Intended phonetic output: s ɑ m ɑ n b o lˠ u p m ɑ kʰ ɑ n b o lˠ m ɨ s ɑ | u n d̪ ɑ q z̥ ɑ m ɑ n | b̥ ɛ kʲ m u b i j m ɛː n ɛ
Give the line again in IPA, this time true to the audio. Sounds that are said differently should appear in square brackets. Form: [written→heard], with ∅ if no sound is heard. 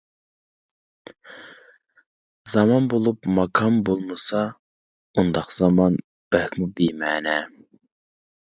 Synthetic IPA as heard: [s→z] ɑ m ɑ n b o lˠ u p m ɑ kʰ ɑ [n→m] b o lˠ m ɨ s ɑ | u n d̪ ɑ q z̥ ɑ m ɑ n | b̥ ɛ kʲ m u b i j m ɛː n ɛ